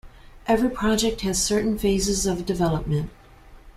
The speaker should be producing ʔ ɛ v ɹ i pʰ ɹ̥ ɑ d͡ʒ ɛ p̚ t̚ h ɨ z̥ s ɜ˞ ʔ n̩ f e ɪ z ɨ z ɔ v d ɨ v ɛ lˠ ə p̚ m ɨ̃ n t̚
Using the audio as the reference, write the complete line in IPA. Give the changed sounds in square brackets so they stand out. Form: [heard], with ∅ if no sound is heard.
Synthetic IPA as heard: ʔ ɛ v ɹ i pʰ ɹ̥ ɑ d͡ʒ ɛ [k̚] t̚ h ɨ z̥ s ɜ˞ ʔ n̩ f e ɪ z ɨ z [ʌ] v d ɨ v ɛ lˠ ə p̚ m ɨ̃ n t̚